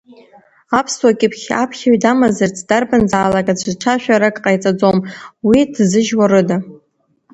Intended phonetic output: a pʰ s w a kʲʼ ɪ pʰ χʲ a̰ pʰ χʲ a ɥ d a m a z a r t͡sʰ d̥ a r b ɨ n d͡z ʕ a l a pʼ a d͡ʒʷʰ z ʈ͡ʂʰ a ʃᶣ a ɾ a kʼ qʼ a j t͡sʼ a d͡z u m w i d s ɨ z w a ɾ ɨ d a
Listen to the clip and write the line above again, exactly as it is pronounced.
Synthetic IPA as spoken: a pʰ s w a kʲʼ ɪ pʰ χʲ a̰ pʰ χʲ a ɥ d a m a z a r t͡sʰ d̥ a r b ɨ n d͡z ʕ a l a kʼ a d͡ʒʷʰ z ʈ͡ʂʰ a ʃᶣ a ɾ a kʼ qʼ a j t͡sʼ a d͡z o m w i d z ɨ ʒ w a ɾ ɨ d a